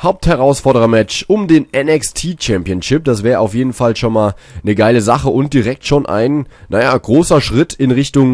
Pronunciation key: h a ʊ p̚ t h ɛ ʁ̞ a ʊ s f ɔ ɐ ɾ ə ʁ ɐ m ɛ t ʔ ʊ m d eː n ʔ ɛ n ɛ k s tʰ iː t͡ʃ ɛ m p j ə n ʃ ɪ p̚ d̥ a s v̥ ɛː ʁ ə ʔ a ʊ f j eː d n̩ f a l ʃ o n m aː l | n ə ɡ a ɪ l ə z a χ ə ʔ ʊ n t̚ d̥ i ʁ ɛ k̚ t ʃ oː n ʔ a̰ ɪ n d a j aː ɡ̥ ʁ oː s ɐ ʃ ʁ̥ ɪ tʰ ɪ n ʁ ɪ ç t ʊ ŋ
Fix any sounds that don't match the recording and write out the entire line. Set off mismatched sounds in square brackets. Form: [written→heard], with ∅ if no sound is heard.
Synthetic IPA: h a ʊ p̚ t h ɛ ʁ̞ a ʊ s f ɔ ɐ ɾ ə ʁ ɐ m ɛ [t→t͡ʃ] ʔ ʊ m d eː n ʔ ɛ n ɛ k s tʰ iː t͡ʃ ɛ m p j ə n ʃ ɪ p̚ d̥ a s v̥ ɛː ʁ ə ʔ a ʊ f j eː d n̩ f a l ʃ o n m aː l | n ə ɡ a ɪ l ə z a χ ə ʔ ʊ n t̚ d̥ i ʁ ɛ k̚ t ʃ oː n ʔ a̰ ɪ n [d→n] a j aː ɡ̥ ʁ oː s ɐ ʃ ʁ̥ ɪ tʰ ɪ n ʁ ɪ ç t ʊ ŋ